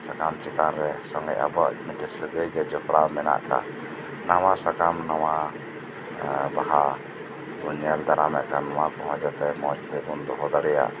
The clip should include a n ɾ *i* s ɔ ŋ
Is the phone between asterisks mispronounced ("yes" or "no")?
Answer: yes